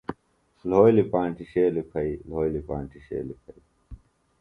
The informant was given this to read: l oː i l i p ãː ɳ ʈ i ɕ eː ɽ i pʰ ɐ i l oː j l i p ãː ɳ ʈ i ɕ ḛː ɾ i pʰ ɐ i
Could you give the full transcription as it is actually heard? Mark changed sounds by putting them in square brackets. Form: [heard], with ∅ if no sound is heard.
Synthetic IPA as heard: l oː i l i p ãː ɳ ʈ i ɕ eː [l] i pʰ ɐ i l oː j l i p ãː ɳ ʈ i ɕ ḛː [l] i pʰ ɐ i